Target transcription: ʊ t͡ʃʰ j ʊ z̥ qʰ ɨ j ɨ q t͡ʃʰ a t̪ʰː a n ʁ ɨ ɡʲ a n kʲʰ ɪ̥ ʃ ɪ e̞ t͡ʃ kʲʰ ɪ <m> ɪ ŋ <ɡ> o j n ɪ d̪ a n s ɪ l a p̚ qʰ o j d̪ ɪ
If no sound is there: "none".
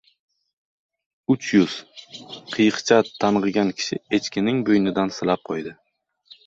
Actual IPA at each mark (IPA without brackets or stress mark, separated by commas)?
n, b